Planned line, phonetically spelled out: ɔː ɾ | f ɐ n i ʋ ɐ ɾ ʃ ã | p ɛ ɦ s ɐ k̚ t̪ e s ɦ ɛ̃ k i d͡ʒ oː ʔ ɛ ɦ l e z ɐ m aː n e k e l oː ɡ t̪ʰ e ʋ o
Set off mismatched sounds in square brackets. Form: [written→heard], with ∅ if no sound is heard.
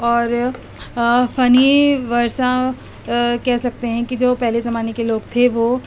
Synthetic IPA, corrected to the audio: ɔː ɾ | f ɐ n i ʋ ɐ ɾ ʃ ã | [p→k] ɛ ɦ s ɐ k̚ t̪ e [s→∅] ɦ ɛ̃ k i d͡ʒ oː [ʔ→p] ɛ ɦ l e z ɐ m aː n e k e l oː ɡ t̪ʰ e ʋ o